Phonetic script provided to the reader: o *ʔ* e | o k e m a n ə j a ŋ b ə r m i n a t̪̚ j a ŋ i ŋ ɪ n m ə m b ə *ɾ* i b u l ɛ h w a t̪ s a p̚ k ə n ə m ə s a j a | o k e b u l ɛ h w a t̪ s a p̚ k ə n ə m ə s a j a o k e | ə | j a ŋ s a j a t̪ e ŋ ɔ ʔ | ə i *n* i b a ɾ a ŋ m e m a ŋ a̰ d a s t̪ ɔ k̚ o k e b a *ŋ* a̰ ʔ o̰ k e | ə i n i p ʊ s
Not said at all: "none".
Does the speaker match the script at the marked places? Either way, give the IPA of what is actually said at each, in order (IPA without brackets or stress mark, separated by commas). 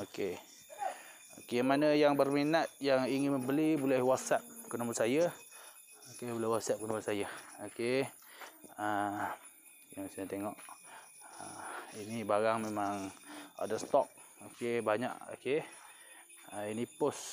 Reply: k, l, n, ɲ